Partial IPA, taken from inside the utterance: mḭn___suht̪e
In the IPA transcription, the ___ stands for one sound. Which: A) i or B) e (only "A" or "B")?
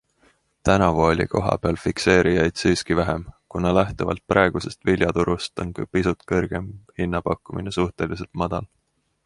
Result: B